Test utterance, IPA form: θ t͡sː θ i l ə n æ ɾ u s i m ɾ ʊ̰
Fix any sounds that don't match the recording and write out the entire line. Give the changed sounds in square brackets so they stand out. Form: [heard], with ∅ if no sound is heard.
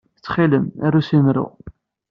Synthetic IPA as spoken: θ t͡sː [χ] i l ə [m] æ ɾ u s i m ɾ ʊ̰